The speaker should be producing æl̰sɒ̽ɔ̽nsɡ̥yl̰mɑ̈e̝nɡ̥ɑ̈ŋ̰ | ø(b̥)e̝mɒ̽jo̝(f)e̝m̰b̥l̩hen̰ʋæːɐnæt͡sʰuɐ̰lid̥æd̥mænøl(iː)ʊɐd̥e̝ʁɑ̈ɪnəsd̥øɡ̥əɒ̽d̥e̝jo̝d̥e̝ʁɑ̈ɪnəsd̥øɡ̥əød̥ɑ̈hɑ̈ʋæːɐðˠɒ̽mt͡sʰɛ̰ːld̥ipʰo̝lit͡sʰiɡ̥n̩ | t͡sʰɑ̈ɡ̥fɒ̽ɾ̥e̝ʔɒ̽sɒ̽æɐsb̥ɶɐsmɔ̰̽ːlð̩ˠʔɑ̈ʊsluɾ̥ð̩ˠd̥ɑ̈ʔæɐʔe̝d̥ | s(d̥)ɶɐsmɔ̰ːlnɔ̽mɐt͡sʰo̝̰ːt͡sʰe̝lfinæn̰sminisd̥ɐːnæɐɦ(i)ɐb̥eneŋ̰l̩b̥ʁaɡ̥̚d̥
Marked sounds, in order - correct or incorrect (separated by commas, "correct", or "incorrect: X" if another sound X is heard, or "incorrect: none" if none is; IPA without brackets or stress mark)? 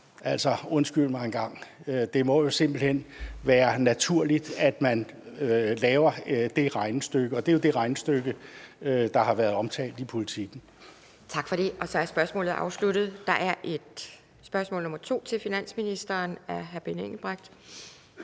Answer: incorrect: d̥, incorrect: s, incorrect: ɛː, incorrect: b̥, incorrect: æ